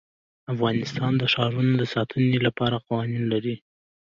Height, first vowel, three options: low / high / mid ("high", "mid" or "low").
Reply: low